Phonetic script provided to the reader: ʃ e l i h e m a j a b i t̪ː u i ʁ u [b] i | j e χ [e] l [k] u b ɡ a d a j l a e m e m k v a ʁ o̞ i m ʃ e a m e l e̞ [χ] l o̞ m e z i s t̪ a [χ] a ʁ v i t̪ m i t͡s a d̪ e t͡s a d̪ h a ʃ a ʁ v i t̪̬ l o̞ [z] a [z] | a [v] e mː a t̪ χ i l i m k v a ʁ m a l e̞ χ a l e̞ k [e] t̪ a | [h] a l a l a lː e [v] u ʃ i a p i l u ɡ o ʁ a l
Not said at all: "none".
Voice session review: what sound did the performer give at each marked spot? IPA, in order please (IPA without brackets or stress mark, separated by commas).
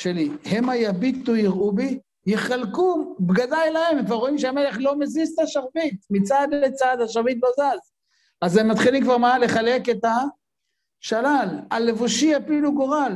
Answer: b, a, k, χ, ʃ, z, z, z, e, ʃ, v